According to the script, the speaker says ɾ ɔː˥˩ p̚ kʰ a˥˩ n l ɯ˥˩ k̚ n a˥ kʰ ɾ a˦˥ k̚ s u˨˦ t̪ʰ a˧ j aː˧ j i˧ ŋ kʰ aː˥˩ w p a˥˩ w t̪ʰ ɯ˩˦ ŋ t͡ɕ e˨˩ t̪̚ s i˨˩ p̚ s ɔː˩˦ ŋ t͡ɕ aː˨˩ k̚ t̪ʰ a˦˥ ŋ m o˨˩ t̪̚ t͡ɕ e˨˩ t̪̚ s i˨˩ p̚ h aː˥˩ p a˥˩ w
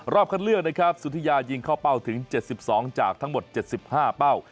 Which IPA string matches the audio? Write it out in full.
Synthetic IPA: ɾ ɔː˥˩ p̚ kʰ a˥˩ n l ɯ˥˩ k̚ n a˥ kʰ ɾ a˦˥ p̚ s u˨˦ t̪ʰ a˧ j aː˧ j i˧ ŋ kʰ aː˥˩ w p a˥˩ w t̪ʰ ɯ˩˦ ŋ t͡ɕ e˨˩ t̪̚ s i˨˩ p̚ s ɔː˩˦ ŋ t͡ɕ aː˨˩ k̚ t̪ʰ a˦˥ ŋ m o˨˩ t̪̚ t͡ɕ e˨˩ t̪̚ s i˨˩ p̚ h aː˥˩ p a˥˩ w

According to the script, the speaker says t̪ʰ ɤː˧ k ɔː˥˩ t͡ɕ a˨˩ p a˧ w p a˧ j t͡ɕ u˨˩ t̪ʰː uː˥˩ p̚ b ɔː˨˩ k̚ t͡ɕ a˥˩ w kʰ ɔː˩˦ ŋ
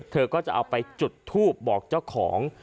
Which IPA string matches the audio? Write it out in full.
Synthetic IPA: t̪ʰ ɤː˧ k ɔː˥˩ t͡ɕ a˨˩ ʔ a˧ w p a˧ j t͡ɕ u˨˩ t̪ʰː uː˥˩ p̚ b ɔː˨˩ k̚ t͡ɕ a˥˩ w kʰ ɔː˩˦ ŋ

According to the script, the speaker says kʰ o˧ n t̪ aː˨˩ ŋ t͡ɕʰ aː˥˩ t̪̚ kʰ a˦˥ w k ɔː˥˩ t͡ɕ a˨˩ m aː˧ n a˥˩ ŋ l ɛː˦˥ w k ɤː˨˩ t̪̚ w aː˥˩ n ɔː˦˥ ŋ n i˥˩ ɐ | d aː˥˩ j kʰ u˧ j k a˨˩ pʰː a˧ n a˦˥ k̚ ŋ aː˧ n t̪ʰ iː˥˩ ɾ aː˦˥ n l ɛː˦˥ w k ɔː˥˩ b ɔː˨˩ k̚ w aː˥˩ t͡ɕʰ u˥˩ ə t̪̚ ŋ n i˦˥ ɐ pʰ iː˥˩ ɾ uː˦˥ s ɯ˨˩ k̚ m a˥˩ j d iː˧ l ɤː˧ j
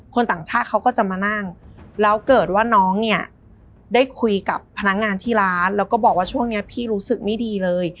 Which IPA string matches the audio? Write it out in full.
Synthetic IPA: kʰ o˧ n t̪ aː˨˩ ŋ t͡ɕʰ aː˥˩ t̪̚ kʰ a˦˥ w k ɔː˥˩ t͡ɕ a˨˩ m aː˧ n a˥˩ ŋ l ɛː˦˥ w k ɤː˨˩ t̪̚ w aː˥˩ n ɔː˦˥ ŋ n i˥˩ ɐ | d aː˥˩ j kʰ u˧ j k a˨˩ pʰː a˧ n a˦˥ k̚ ŋ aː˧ n t̪ʰ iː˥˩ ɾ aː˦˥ n l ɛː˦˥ w k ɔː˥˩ b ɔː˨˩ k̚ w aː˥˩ t͡ɕʰ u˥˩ ə ŋ n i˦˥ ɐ pʰ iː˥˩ ɾ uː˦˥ s ɯ˨˩ k̚ m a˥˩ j d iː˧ l ɤː˧ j

